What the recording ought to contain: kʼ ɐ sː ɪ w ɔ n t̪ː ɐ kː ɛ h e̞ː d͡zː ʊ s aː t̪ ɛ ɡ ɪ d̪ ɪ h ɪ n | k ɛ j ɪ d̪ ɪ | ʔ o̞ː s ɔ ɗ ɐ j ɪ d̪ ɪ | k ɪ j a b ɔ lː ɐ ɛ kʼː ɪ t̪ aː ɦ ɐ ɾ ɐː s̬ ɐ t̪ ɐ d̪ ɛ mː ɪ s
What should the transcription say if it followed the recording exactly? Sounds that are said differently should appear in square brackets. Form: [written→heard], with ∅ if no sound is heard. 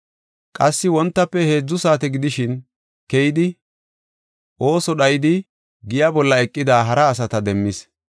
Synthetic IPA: kʼ ɐ sː ɪ w ɔ n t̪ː ɐ [kː→pː] ɛ h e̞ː d͡zː ʊ s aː t̪ ɛ ɡ ɪ d̪ ɪ [h→ʃ] ɪ n | k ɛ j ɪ d̪ ɪ | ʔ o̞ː s ɔ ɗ ɐ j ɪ d̪ ɪ | [k→ɡ] ɪ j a b ɔ lː ɐ ɛ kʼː ɪ [t̪→d̪] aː ɦ ɐ ɾ ɐː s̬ ɐ t̪ ɐ d̪ ɛ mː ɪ s